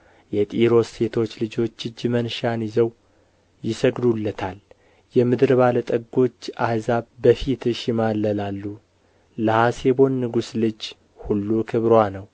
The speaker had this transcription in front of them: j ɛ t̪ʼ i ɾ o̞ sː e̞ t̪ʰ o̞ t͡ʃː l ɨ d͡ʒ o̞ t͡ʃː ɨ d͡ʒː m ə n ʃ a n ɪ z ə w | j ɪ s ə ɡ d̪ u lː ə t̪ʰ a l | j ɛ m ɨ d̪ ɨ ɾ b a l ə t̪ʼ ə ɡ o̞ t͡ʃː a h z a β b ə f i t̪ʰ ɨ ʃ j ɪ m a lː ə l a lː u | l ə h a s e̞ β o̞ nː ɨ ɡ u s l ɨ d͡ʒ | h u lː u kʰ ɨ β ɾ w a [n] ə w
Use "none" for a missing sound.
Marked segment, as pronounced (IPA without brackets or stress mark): n